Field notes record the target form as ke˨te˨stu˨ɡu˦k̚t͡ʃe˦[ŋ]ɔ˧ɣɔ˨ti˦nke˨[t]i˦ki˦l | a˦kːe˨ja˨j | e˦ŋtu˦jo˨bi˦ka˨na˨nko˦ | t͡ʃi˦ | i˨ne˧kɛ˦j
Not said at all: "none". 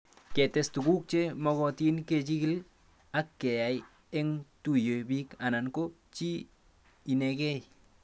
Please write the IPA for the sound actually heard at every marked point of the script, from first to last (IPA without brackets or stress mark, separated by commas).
m, t͡ʃ